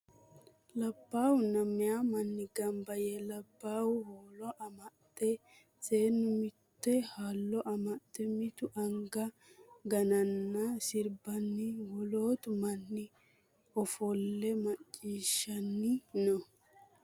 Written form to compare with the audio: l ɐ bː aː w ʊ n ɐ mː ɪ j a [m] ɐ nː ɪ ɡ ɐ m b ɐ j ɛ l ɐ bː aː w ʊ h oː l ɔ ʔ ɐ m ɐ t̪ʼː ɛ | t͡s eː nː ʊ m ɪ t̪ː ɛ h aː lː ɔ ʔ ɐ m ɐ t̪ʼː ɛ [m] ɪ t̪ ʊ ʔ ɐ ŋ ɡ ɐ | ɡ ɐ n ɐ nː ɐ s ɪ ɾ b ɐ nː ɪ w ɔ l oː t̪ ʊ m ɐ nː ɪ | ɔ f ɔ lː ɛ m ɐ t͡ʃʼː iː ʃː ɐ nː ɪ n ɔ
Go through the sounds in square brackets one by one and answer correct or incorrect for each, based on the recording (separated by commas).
correct, correct